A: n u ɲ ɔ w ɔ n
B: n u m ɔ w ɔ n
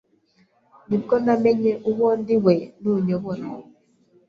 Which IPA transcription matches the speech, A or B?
A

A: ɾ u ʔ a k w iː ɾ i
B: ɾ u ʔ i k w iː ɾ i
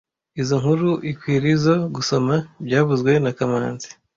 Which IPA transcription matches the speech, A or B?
B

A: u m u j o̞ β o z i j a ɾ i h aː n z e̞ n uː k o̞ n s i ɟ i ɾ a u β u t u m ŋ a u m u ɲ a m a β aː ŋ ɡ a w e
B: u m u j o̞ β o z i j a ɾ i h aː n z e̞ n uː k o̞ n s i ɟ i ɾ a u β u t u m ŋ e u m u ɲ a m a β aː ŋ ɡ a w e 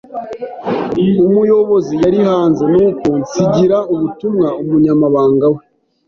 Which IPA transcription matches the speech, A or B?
A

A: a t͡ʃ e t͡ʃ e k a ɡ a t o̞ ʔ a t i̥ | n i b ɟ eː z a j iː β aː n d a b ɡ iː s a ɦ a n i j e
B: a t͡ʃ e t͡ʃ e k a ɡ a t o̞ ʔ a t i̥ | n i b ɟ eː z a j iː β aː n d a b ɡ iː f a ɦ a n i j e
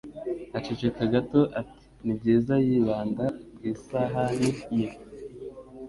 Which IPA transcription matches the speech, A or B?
A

